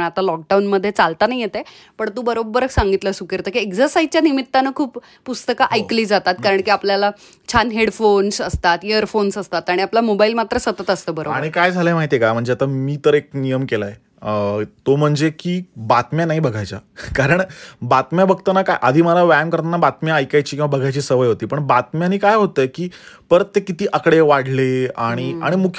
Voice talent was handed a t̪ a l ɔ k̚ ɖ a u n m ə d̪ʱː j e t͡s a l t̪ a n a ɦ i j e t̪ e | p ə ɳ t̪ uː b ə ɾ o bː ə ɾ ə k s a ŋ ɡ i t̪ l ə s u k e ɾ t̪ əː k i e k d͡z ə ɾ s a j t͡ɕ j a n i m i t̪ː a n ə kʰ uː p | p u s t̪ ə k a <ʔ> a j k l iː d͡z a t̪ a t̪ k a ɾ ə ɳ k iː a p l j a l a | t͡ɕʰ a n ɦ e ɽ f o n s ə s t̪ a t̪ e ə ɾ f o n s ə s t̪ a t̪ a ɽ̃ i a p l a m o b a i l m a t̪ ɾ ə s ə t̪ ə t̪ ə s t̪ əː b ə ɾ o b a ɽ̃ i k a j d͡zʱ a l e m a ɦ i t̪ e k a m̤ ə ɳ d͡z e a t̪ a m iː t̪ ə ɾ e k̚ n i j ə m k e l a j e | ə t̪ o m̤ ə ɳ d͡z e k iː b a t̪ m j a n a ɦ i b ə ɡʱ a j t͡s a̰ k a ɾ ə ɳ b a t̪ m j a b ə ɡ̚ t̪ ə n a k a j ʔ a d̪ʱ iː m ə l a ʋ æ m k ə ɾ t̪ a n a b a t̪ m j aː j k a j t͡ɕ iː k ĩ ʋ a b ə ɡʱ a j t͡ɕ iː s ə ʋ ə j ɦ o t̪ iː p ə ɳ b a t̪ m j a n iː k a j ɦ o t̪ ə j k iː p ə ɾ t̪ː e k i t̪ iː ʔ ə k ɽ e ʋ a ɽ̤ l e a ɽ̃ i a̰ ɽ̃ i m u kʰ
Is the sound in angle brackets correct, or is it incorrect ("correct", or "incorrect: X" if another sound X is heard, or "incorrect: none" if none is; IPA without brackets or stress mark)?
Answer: correct